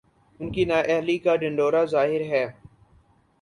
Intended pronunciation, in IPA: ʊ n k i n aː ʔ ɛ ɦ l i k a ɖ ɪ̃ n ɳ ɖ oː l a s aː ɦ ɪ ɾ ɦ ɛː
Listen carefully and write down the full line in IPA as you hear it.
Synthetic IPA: ʊ n k i n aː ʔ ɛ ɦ l i k a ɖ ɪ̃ ɳ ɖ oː ɾ a z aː ɦ ɪ ɾ ɦ ɛː